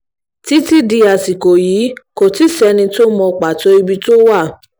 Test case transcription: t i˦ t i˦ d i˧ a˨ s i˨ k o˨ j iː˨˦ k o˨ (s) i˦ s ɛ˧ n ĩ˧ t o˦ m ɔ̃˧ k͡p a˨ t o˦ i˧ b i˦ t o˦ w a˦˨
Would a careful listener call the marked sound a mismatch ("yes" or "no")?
yes